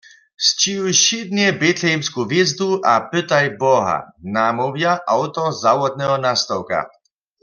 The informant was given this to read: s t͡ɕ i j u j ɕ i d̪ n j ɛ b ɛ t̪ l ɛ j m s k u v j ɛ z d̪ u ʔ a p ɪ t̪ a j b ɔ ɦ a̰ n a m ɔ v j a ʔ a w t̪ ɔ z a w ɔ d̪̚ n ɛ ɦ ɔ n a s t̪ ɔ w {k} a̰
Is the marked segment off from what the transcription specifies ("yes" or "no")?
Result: no